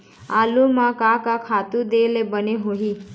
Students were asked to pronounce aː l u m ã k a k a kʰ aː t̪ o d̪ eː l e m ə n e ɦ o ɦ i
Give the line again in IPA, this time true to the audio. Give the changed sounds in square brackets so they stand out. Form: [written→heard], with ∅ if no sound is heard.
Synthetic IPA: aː l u m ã k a k a kʰ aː t̪ [o→u] d̪ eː l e [m→b] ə n e ɦ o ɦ i